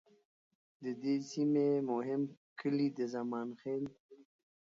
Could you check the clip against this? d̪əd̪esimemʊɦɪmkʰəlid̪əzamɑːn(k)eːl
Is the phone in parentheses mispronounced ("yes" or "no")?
yes